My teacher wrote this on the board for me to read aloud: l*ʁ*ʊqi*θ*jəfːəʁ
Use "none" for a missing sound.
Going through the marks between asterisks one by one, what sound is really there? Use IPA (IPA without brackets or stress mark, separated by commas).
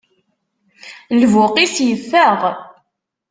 v, s